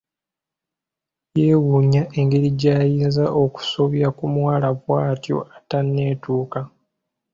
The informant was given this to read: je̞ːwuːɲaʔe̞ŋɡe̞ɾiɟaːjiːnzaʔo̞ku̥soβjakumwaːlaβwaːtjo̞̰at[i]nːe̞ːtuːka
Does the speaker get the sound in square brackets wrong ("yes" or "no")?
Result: yes